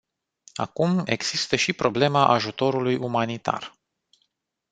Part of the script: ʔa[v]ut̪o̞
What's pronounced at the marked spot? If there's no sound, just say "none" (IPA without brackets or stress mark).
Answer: ʒ